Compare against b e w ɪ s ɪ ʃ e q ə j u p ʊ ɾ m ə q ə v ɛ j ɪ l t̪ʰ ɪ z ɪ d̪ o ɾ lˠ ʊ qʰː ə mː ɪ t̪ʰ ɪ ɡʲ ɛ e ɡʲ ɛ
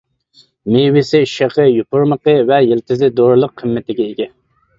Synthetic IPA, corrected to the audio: m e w ɪ s ɪ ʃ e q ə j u p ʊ ɾ m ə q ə v ɛ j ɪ l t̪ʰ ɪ z ɪ d̪ o ɾ lˠ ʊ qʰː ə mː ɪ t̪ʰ ɪ ɡʲ ɛ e ɡʲ ɛ